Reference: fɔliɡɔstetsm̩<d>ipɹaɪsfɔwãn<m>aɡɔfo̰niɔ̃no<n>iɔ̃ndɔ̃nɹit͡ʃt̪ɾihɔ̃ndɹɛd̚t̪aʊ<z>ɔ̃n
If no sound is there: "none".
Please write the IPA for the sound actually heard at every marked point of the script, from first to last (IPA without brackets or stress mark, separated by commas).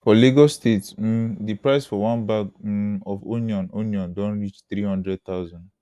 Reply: d, b, n, z